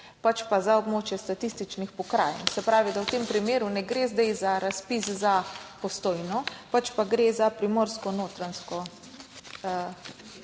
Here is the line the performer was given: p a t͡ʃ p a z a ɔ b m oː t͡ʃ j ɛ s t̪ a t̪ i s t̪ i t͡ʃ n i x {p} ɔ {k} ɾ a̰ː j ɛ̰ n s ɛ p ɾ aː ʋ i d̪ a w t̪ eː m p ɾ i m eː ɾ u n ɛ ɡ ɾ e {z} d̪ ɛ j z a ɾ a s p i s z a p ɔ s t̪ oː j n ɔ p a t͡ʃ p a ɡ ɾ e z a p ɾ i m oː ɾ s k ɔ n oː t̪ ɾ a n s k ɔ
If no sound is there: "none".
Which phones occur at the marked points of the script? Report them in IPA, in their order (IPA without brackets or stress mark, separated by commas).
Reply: p, k, z